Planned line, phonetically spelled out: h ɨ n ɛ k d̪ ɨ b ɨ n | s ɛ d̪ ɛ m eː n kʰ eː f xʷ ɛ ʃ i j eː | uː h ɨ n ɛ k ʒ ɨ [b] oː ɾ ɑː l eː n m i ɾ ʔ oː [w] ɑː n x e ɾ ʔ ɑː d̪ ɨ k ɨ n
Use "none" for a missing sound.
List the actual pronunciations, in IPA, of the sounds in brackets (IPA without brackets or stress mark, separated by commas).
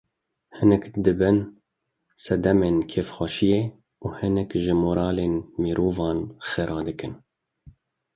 m, v